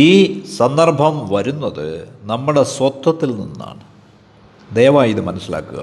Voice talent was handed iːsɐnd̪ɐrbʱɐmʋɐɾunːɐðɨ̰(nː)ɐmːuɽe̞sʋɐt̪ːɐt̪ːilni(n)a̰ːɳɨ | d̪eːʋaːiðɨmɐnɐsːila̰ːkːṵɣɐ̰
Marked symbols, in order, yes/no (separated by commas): no, no